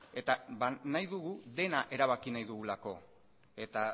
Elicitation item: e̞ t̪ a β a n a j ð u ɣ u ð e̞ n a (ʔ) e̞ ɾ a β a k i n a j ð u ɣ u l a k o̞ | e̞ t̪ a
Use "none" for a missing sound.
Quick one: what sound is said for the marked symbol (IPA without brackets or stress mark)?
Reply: ʔ